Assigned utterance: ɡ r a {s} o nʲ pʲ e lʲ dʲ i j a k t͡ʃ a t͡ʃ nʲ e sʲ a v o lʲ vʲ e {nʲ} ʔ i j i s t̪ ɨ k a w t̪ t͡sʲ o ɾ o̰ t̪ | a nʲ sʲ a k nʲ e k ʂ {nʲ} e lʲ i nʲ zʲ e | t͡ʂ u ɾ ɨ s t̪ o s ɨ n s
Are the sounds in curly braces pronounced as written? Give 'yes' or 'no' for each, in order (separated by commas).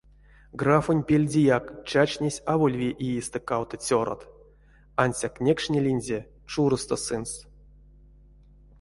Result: no, no, yes